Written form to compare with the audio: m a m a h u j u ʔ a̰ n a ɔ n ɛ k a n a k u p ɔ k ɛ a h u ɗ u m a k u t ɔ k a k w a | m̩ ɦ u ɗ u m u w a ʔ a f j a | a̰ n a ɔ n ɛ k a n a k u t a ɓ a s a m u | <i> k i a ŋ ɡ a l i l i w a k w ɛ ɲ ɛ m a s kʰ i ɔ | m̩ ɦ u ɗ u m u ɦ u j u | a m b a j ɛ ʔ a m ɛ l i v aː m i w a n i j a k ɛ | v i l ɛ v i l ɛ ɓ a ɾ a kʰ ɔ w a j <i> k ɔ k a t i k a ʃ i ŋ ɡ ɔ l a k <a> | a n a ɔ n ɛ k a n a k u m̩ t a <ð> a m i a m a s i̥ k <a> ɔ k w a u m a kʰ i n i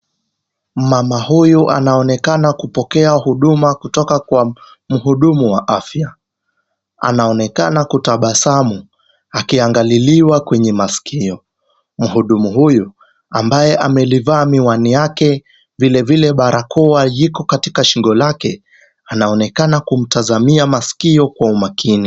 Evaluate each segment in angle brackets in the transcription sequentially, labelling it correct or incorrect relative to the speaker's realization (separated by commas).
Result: incorrect, correct, incorrect, incorrect, incorrect